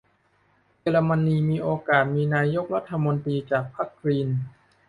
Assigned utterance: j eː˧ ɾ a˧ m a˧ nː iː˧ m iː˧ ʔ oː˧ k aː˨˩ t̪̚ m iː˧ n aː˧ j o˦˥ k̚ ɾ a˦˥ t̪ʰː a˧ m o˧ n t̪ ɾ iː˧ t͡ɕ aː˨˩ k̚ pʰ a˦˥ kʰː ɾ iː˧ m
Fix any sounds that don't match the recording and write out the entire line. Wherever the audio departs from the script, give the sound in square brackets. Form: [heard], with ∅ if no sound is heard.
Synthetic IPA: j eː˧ ɾ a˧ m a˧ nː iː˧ m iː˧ ʔ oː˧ k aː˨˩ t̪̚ m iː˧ n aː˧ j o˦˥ k̚ ɾ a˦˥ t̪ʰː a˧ m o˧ n t̪ ɾ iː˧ t͡ɕ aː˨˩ k̚ pʰ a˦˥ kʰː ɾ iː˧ [n]